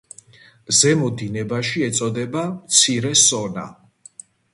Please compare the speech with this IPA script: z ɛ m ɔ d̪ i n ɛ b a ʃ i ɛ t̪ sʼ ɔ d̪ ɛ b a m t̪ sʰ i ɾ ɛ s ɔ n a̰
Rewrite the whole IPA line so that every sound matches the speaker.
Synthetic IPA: z ɛ m ɔ d̪ i n ɛ b a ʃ i ɛ t̪ sʼ ɔ d̪ ɛ b a m t̪ sʰ i ɾ ɛ s ɔ n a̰